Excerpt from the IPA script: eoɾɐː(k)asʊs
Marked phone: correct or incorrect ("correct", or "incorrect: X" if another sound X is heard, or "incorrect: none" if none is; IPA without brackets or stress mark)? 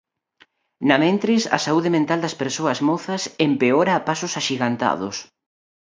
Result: incorrect: p